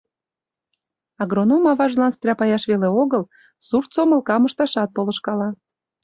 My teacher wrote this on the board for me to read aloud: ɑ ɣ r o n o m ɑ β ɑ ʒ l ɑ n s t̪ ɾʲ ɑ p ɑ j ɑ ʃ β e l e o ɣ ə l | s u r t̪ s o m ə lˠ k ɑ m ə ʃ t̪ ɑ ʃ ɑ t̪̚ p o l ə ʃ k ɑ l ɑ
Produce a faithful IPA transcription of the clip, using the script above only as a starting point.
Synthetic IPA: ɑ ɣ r o n o m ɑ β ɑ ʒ l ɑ n s t̪ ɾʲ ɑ p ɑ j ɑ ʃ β e l e o ɣ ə l | s u r t̪ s o m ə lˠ k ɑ m ə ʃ t̪ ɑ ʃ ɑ t̪̚ p o l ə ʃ k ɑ l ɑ